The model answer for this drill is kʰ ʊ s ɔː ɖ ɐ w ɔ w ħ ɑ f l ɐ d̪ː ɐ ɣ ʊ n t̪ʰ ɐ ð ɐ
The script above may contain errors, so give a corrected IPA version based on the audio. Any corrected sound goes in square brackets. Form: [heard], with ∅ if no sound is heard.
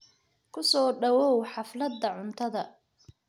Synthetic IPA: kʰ ʊ s ɔː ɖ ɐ w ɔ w ħ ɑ f l ɐ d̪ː ɐ [ʕ] ʊ n t̪ʰ ɐ ð ɐ